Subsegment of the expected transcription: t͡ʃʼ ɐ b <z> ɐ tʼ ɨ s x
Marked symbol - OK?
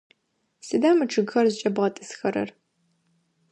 no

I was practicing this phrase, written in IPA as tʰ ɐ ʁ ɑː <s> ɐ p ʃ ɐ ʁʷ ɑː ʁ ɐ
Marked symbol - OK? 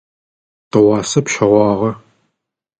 yes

